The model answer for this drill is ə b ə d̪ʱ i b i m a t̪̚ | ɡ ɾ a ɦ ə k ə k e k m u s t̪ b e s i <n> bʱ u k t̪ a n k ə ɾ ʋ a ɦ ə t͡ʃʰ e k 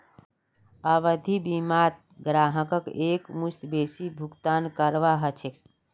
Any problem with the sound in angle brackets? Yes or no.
yes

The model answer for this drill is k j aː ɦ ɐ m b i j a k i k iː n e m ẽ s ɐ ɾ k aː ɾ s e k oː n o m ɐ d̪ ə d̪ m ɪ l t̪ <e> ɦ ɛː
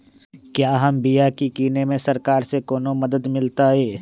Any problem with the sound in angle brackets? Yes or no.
yes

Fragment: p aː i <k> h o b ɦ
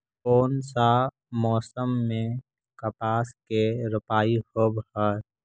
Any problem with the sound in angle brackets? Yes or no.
yes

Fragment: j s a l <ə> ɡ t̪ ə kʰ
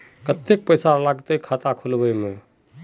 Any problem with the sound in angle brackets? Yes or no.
yes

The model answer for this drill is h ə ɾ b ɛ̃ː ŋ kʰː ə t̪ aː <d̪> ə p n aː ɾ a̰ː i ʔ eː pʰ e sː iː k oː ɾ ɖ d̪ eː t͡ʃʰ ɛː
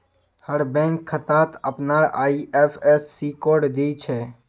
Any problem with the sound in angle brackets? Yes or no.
yes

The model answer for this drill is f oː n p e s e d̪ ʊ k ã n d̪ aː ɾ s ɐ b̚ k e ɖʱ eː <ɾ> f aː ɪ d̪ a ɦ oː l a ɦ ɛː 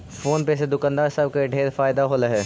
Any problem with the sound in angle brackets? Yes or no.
no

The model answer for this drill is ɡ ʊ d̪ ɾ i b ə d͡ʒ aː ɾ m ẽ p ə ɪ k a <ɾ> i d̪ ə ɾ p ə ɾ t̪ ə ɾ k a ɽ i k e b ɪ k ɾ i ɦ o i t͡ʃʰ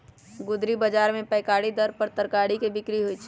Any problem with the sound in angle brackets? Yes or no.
yes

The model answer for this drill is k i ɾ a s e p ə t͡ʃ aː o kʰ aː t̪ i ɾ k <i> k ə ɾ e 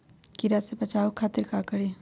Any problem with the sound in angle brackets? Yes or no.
yes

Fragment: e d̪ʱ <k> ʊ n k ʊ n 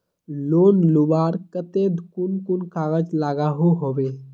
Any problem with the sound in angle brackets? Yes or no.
no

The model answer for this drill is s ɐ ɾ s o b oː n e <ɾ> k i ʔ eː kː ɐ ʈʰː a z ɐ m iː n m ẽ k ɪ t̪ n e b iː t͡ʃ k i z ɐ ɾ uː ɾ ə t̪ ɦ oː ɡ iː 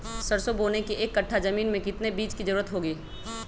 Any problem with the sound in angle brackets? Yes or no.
yes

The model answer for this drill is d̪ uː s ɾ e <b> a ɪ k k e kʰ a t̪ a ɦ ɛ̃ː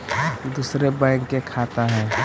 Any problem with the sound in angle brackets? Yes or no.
no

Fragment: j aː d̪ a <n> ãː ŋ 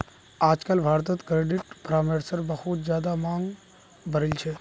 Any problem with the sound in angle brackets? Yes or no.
yes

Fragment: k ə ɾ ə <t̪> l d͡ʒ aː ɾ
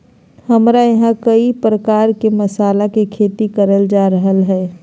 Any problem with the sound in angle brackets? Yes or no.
yes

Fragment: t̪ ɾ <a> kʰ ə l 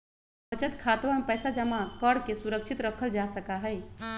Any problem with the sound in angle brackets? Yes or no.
yes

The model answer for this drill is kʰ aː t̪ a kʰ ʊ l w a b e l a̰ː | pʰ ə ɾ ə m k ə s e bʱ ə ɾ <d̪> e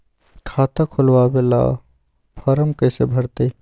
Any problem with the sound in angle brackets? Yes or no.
yes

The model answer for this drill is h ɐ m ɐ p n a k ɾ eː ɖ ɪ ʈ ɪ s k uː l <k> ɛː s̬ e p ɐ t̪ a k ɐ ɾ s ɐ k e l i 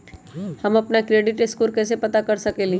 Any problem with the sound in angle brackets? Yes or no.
no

